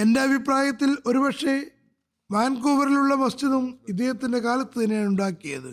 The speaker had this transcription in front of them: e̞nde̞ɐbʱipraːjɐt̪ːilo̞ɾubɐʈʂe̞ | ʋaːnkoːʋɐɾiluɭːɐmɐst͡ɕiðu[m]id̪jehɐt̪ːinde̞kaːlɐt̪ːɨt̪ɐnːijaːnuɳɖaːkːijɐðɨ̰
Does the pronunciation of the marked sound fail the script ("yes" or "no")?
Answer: no